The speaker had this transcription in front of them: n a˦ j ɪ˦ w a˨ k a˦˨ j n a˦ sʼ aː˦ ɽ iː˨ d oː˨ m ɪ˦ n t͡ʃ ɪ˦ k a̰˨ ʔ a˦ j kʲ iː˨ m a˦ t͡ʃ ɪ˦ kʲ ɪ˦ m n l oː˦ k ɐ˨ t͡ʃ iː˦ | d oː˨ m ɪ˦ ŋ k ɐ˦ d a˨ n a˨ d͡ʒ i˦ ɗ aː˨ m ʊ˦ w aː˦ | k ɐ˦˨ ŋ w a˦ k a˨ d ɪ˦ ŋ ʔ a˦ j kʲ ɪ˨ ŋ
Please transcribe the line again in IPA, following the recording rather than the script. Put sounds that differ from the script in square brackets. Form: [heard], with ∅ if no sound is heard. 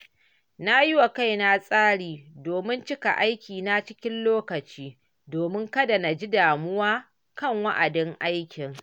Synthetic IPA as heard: n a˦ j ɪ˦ w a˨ k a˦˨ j n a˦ sʼ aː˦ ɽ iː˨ d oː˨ m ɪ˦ n t͡ʃ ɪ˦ k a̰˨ ʔ a˦ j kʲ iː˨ [n] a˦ t͡ʃ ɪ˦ kʲ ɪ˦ [∅] n l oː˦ k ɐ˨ t͡ʃ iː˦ | d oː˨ m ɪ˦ ŋ k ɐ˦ d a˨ n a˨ d͡ʒ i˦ [d] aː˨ m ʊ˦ w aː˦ | k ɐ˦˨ ŋ w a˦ [ʔ] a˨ d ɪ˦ ŋ ʔ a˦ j kʲ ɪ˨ ŋ

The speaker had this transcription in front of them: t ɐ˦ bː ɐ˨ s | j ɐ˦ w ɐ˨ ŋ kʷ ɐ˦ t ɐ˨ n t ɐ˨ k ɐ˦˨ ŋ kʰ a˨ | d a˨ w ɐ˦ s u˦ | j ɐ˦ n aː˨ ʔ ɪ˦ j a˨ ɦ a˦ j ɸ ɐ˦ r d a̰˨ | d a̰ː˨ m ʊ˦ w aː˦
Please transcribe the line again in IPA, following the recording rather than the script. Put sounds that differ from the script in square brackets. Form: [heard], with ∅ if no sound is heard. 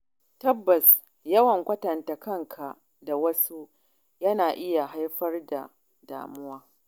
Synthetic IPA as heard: t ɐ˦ bː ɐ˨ s | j ɐ˦ w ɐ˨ ŋ kʷ ɐ˦ t ɐ˨ n t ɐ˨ k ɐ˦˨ ŋ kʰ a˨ | d a˨ w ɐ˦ s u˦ | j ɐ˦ n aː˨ ʔ ɪ˦ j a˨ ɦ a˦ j ɸ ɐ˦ r d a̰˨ | d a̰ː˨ m ʊ˦ w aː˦

